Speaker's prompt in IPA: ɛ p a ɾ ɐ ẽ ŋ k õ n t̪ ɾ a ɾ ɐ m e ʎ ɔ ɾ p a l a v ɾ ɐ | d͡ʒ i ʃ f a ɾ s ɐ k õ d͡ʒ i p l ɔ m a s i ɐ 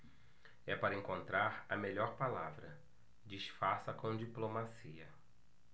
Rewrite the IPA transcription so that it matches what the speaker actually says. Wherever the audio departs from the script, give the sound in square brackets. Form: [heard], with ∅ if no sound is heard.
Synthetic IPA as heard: ɛ p a ɾ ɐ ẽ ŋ k õ n t̪ ɾ a ɾ ɐ m e ʎ ɔ ɾ p a l a v ɾ ɐ | d͡ʒ i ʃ f a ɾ s ɐ k õ d͡ʒ i p l [o] m a s i ɐ

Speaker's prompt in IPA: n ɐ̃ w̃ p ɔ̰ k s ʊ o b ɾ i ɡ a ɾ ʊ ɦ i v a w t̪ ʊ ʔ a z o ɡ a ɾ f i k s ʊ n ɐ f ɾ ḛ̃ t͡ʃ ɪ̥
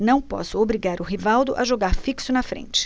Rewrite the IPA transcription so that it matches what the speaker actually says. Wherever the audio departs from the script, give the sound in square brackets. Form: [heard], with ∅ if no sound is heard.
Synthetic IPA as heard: n ɐ̃ w̃ p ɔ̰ [∅] s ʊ o b ɾ i ɡ a ɾ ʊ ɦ i v a w [d̪] ʊ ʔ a [ʒ] o ɡ a ɾ f i k s ʊ n ɐ f ɾ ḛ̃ t͡ʃ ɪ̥

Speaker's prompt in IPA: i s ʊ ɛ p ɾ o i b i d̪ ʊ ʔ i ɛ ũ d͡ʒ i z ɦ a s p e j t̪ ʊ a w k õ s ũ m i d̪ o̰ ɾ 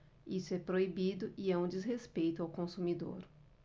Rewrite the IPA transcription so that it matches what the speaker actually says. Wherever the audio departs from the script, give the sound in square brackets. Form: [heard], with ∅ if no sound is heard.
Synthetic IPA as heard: i s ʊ ɛ p ɾ o i b i d̪ ʊ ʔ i ɛ ũ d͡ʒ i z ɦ [e] s p e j t̪ ʊ a w k õ s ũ m i d̪ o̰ ɾ

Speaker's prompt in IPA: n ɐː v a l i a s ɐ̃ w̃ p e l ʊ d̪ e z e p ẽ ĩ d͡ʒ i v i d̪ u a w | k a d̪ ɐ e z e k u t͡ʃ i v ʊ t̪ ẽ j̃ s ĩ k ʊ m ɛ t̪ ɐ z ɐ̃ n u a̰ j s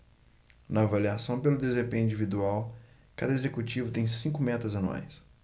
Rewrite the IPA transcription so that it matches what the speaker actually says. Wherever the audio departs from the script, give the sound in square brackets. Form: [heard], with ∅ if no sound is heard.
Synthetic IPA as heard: n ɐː v a l i a s ɐ̃ w̃ p e l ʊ d̪ e z e p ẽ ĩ d͡ʒ i v i d̪ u a w | k a d̪ ɐ e z e k u t͡ʃ i v ʊ t̪ ẽ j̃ s ĩ k ʊ m ɛ t̪ ɐ z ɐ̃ n u a̰ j s

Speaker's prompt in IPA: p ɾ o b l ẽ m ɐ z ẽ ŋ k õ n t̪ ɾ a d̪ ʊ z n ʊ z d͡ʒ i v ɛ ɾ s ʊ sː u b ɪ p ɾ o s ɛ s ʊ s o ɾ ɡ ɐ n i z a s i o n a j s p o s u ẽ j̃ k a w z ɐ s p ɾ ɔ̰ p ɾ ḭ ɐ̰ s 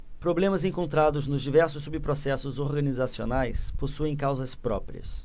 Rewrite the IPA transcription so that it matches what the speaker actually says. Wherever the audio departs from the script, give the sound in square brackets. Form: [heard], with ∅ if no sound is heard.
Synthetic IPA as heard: p ɾ o b l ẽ m ɐ z ẽ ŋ k õ n t̪ ɾ a d̪ ʊ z n ʊ z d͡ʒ i v ɛ ɾ s ʊ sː u b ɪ p ɾ o s ɛ s ʊ [z] o ɾ ɡ ɐ n i z a s i o n a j s p o s u ẽ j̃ k a w z ɐ s p ɾ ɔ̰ p ɾ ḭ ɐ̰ s

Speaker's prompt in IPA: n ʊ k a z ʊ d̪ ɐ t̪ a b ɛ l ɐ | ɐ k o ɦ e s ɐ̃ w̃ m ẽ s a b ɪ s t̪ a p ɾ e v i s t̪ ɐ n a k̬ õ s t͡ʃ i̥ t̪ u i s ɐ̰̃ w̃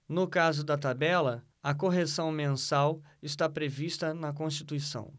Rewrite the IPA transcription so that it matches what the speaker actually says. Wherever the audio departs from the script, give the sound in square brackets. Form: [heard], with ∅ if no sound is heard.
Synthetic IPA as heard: n ʊ k a z ʊ d̪ ɐ t̪ a b ɛ l ɐ | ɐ k o ɦ e s ɐ̃ w̃ m ẽ s a [w] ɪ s t̪ a p ɾ e v i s t̪ ɐ n [ɐ] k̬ õ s t͡ʃ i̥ t̪ u i s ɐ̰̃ w̃

